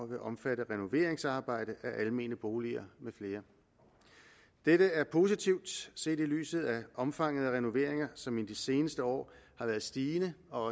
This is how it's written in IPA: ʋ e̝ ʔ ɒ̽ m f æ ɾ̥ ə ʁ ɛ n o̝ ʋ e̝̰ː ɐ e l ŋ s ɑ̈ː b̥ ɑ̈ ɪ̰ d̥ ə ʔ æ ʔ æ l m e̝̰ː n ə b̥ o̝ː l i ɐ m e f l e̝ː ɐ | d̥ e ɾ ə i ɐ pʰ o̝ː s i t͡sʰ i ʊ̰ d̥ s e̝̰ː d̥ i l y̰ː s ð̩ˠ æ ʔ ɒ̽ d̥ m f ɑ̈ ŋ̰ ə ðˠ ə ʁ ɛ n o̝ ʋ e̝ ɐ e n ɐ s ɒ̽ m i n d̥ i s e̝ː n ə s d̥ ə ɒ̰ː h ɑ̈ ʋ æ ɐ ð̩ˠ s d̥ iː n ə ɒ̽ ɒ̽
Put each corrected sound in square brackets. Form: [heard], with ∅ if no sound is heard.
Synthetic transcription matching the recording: ʋ e̝ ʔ ɒ̽ m f æ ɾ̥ ə ʁ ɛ n o̝ ʋ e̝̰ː ɐ e [∅] ŋ s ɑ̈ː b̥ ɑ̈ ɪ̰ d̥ ə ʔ æ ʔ æ l m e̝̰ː n ə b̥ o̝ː l i ɐ m e f l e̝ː ɐ | d̥ e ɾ ə [æ] ɐ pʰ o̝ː s i t͡sʰ i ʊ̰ d̥ s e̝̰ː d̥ i l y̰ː s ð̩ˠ æ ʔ ɒ̽ [∅] m f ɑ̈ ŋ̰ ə ðˠ ə ʁ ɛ n o̝ ʋ e̝ ɐ e [ŋ] ɐ s ɒ̽ m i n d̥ i s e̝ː n ə s d̥ ə ɒ̰ː h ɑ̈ ʋ æ ɐ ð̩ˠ s d̥ iː n ə ɒ̽ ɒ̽